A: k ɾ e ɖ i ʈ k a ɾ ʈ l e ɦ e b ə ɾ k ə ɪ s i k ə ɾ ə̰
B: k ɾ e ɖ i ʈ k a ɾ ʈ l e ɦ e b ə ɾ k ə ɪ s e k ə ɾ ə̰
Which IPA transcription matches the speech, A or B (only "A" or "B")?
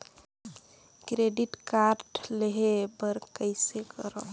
B